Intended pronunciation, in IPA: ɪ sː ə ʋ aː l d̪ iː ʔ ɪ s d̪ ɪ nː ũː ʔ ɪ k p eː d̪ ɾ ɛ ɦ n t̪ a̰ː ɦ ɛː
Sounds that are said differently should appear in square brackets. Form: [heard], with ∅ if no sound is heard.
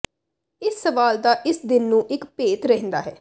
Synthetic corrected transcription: ɪ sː ə ʋ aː l d̪ [aː] ʔ ɪ s d̪ ɪ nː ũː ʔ ɪ k p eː [t̪] ɾ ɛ ɦ n [d̪] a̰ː ɦ ɛː